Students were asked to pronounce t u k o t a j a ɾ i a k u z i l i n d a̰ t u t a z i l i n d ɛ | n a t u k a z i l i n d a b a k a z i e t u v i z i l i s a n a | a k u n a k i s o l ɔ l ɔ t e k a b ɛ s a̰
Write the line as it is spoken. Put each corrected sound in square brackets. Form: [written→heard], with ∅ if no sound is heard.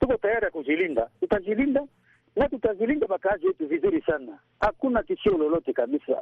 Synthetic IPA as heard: t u k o t a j a ɾ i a k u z i l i n d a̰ t u t a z i l i n d [ɛ→a] | n a t u [k→t] a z i l i n d a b a k a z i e t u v i z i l i s a n a | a k u n a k i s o l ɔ l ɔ t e k a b [ɛ→i] s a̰